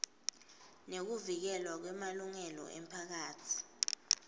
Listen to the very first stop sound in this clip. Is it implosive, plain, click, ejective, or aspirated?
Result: plain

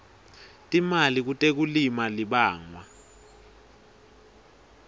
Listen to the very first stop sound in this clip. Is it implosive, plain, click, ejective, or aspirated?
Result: ejective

